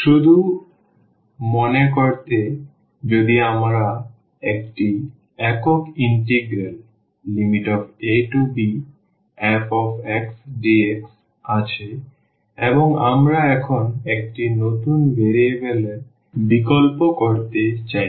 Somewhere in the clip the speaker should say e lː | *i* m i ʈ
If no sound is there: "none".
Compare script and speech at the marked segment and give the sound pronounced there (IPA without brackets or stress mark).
i